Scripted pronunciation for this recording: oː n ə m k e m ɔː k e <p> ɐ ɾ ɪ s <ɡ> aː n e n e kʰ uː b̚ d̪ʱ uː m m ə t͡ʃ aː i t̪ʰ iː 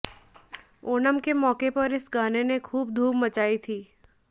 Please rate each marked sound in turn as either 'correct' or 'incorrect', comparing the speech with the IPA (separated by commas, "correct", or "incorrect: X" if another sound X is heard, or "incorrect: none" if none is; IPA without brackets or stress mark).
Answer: correct, correct